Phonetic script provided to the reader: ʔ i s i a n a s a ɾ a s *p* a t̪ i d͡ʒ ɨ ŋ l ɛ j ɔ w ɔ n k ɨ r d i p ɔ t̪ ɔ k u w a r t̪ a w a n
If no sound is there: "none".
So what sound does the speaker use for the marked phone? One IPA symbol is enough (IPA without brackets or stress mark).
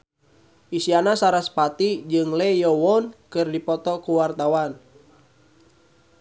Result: p